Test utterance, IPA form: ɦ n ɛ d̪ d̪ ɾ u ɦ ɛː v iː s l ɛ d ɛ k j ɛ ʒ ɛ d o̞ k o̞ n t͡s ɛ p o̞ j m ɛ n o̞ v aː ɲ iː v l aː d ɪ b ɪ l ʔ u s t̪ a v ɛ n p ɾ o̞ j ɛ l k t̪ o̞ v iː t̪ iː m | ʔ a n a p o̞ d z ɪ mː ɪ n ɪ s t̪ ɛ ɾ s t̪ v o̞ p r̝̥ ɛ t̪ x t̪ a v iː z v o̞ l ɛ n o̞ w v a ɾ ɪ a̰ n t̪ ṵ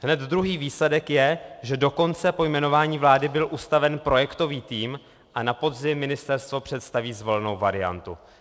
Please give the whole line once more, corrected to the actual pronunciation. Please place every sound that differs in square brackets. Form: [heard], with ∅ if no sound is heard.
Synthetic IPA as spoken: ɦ n ɛ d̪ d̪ ɾ u ɦ [iː] v iː s l ɛ d ɛ k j ɛ ʒ ɛ d o̞ k o̞ n t͡s ɛ p o̞ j m ɛ n o̞ v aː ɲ iː v l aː d ɪ b ɪ l ʔ u s t̪ a v ɛ n p ɾ o̞ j ɛ [∅] k t̪ o̞ v iː t̪ iː m | ʔ a n a p o̞ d z ɪ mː ɪ n ɪ s t̪ ɛ ɾ s t̪ v o̞ p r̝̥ ɛ t̪ [s] t̪ a v iː z v o̞ l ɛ n o̞ w v a ɾ ɪ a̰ n t̪ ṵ